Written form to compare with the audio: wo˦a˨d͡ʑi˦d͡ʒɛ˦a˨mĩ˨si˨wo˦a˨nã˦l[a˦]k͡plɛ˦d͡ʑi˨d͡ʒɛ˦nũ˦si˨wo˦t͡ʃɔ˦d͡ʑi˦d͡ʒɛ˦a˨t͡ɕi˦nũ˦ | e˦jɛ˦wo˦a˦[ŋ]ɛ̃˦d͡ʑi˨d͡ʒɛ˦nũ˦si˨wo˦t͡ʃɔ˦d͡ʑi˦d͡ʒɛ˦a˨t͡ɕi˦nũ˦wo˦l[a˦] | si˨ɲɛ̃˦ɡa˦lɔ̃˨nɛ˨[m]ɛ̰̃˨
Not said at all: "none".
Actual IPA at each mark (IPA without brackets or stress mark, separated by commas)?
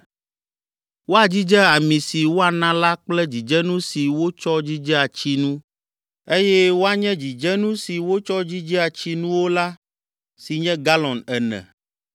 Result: a˦, ɲ, a˦, n